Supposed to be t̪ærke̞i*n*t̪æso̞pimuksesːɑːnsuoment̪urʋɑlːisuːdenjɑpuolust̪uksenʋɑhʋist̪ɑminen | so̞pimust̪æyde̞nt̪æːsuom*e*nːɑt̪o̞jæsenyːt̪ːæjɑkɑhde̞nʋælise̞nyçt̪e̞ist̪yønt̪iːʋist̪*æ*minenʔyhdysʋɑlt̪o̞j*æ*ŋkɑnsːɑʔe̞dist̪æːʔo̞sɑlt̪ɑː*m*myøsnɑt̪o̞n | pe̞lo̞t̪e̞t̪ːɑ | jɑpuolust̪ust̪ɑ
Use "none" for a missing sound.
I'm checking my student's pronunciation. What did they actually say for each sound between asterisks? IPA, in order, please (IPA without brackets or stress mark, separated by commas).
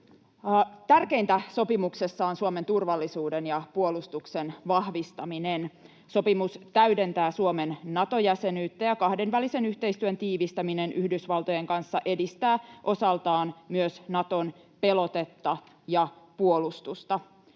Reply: n, e, æ, e, n